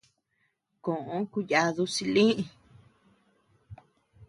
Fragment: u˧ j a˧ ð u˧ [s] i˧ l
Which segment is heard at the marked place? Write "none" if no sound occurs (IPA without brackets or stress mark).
s